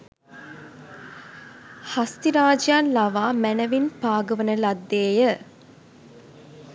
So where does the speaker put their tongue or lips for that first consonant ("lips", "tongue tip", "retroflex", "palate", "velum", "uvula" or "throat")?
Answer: throat